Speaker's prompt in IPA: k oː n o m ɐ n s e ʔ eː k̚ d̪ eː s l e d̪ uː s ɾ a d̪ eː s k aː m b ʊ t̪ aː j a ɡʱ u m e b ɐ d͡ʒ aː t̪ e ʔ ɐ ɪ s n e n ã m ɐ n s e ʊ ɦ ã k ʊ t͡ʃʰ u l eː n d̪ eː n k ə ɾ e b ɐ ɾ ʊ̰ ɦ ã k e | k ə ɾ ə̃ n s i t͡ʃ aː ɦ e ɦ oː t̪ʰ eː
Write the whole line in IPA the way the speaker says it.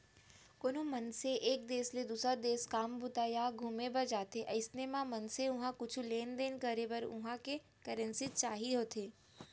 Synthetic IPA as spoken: k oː n o m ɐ n s e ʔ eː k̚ d̪ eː s l e d̪ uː s ɾ a d̪ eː s k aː m b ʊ t̪ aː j a ɡʱ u m e b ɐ d͡ʒ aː t̪ e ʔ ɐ ɪ s n e m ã m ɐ n s e ʊ ɦ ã k ʊ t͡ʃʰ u l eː n d̪ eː n k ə ɾ e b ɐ ɾ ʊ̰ ɦ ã k e | k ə ɾ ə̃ n s i t͡ʃ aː ɦ i ɦ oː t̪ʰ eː